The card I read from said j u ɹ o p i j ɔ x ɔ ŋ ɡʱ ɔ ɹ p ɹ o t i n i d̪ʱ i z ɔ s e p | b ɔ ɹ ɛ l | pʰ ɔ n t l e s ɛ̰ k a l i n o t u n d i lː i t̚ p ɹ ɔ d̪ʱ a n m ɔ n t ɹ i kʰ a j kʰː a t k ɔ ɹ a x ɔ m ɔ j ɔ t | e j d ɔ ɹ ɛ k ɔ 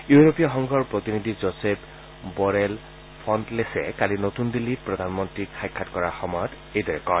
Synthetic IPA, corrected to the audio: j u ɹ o p i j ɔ x ɔ ŋ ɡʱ ɔ ɹ p ɹ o t i n i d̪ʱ i z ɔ s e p | b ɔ ɹ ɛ l | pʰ ɔ n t l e s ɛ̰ k a l i n o t u n d i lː i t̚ p ɹ ɔ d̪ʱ a n m ɔ n t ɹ i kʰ a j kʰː a t k ɔ ɹ a x ɔ m ɔ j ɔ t | e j d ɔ ɹ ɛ k ɔ

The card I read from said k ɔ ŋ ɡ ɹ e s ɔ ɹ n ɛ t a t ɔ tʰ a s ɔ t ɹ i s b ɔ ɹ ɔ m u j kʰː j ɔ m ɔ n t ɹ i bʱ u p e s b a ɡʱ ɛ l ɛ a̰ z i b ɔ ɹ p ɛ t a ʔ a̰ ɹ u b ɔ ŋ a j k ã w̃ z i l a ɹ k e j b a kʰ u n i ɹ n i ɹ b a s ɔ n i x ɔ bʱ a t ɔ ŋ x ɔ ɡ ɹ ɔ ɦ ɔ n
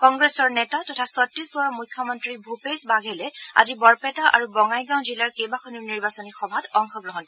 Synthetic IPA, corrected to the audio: k ɔ ŋ ɡ ɹ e s ɔ ɹ n ɛ t a t ɔ tʰ a s ɔ t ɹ i s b ɔ ɹ ɔ m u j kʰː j ɔ m ɔ n t ɹ i bʱ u p e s b a ɡʱ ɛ l ɛ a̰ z i b ɔ ɹ p ɛ t a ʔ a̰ ɹ u b ɔ ŋ a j ɡ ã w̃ z i l a ɹ k e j b a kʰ ɔ n i ɹ n i ɹ b a s ɔ n i x ɔ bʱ a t ɔ ŋ x ɔ ɡ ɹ ɔ ɦ ɔ n

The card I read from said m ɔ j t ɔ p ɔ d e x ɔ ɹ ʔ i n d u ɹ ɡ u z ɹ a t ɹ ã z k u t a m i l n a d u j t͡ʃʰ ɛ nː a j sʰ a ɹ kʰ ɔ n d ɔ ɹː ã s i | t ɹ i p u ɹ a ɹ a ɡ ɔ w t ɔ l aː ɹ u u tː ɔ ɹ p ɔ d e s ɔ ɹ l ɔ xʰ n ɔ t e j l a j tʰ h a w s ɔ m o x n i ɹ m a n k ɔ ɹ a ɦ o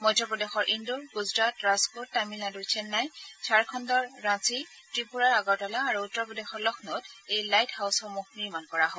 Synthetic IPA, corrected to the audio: m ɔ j t ɔ p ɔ d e x ɔ ɹ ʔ i n d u ɹ ɡ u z ɹ a t ɹ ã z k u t a m i l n a d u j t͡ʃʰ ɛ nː a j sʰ a ɹ kʰ ɔ n d ɔ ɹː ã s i | t ɹ i p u ɹ a ɹ a ɡ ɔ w t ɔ l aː ɹ u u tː ɔ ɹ p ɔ d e x ɔ ɹ l ɔ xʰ n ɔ t e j l a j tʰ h a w s ɔ m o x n i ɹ m a n k ɔ ɹ a ɦ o

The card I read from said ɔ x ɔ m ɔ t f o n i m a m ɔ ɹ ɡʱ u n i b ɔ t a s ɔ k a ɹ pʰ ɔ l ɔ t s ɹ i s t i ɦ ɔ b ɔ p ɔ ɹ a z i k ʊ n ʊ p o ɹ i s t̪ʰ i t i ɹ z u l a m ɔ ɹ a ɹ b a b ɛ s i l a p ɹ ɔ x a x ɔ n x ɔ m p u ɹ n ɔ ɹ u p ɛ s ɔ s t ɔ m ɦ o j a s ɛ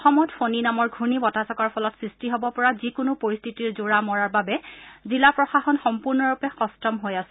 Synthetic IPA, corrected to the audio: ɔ x ɔ m ɔ t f o n i n a m ɔ ɹ ɡʱ u n i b ɔ t a s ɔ k a ɹ pʰ ɔ l ɔ t s ɹ i s t i ɦ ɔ b ɔ p ɔ ɹ a z i k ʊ n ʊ p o ɹ i s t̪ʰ i t i ɹ z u ɹ a m ɔ ɹ a ɹ b a b ɛ z i l a p ɹ ɔ x a x ɔ n x ɔ m p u ɹ n ɔ ɹ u p ɛ x ɔ s t ɔ m ɦ o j a s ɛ

